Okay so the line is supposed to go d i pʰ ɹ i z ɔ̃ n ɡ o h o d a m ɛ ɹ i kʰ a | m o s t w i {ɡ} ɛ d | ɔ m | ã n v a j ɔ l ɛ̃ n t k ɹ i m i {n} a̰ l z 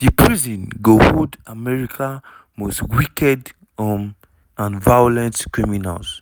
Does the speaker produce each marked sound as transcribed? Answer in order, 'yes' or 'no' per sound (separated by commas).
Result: no, yes